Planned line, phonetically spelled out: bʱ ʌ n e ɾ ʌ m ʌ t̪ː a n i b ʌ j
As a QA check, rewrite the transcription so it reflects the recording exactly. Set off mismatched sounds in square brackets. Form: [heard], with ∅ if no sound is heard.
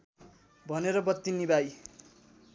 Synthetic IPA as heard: bʱ ʌ n e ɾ ʌ [b] ʌ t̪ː [i] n i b [a] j

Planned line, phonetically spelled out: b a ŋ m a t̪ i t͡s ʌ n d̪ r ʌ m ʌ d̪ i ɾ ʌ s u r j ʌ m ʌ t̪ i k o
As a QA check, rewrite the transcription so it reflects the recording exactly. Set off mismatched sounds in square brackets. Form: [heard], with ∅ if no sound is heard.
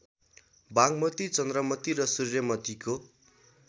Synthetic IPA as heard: b a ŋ m [ʌ] t̪ i t͡s ʌ n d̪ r ʌ m ʌ [t̪] i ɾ ʌ s u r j ʌ m ʌ t̪ i k o

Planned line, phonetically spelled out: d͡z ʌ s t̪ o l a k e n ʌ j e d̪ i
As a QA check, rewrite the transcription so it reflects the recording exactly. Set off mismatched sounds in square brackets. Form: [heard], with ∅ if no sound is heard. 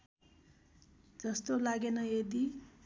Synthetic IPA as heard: d͡z ʌ s t̪ o l a [ɡ] e n ʌ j e d̪ i

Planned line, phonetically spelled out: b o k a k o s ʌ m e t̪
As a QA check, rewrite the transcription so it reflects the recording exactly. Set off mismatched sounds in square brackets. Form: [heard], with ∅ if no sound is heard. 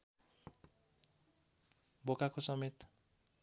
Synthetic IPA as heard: b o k a k o s ʌ m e t̪

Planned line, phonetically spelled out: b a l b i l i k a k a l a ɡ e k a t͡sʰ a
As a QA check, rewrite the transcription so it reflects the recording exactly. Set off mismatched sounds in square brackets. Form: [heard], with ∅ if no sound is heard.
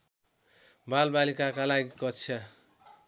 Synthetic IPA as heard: b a l b [a] l i k a k a l a ɡ [i] k [ʌ] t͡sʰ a

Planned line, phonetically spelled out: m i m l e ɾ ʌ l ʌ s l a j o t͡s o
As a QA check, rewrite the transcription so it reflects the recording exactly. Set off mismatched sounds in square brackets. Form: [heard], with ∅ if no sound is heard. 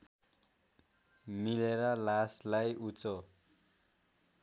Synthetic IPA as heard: m i [∅] l e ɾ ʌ l [a] s l a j [u] t͡s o

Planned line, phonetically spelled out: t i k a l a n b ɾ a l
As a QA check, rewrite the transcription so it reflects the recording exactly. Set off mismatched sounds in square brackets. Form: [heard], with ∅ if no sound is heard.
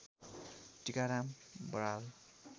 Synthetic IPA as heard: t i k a [ɾ] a [m] b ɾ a l

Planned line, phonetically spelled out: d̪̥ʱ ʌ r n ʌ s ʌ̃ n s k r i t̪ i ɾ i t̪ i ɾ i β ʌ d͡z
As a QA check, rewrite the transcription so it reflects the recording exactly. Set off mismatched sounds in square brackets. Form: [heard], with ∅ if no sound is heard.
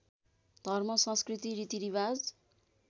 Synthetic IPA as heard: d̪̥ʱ ʌ r [m] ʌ s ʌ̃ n s k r i t̪ i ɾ i t̪ i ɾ i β [a] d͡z

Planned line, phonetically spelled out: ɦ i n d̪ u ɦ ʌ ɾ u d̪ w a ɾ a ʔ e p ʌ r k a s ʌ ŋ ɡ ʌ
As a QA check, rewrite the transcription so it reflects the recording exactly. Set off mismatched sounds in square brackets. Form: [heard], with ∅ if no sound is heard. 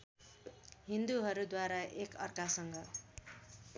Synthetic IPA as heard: ɦ i n d̪ u ɦ ʌ ɾ u d̪ w a ɾ a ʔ e [k] ʌ r k a s ʌ ŋ ɡ ʌ

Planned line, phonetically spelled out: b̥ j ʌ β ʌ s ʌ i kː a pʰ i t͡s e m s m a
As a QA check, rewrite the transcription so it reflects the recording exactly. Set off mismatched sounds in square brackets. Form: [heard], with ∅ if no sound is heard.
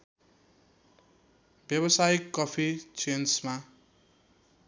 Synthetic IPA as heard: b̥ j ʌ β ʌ s [a] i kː [ʌ] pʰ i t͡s e [n] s m a

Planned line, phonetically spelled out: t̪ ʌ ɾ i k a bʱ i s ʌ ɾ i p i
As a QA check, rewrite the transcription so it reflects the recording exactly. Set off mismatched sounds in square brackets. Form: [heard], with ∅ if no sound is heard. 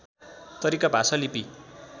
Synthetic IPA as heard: t̪ ʌ ɾ i k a bʱ [a] s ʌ [l] i p i

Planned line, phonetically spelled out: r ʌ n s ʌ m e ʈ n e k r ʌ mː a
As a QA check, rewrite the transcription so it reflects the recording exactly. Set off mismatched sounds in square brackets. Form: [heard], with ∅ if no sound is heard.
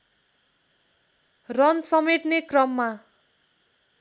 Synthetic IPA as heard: r ʌ n s ʌ m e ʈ n e k r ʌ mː a

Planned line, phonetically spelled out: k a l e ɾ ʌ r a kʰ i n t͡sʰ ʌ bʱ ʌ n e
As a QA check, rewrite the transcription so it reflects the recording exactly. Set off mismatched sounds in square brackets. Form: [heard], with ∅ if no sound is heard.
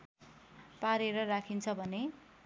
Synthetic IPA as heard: [p] a [ɾ] e ɾ ʌ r a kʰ i n t͡sʰ ʌ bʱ ʌ n e

